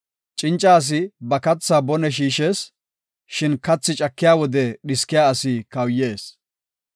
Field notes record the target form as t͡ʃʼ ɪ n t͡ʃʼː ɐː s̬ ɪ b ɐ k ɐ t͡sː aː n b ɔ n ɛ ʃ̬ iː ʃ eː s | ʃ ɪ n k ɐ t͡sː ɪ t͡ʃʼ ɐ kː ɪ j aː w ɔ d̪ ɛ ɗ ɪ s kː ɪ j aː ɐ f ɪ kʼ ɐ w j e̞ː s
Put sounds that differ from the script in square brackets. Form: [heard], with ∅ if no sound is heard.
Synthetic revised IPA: t͡ʃʼ ɪ n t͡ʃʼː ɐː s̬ ɪ b ɐ k ɐ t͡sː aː [∅] b ɔ n ɛ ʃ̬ iː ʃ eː s | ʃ ɪ n k ɐ t͡sː ɪ t͡ʃʼ ɐ kː ɪ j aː w ɔ d̪ ɛ ɗ ɪ s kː ɪ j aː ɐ [s] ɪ [k] ɐ w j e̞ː s